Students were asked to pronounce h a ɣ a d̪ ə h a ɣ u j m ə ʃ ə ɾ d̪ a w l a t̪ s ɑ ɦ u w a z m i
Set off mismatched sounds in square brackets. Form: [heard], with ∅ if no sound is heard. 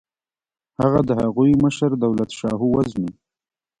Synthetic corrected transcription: h a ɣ a d̪ ə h a ɣ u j m ə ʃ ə ɾ d̪ a w l a t̪ [ʃ] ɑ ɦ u w a z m i